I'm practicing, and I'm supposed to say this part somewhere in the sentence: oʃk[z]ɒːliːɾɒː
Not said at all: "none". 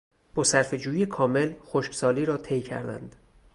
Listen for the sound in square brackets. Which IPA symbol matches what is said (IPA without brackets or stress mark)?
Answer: s